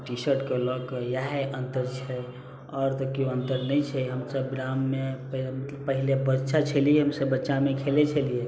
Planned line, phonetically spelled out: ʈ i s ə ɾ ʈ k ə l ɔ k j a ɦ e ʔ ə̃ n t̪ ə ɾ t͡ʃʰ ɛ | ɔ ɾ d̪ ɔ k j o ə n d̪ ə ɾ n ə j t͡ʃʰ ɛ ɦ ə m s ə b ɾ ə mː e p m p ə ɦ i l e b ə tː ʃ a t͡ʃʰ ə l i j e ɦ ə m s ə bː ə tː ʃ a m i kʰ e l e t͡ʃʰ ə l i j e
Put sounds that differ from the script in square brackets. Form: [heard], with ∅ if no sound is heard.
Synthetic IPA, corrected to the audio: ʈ i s ə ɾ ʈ k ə l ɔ k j a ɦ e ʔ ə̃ n t̪ ə ɾ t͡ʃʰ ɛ | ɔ ɾ [t̪] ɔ k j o ə n [t̪] ə ɾ n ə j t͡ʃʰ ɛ ɦ ə m s ə b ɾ [a] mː e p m p ə ɦ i l e b ə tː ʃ a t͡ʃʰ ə l i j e ɦ ə m s ə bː ə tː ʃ a m [e] kʰ e l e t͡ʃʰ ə l i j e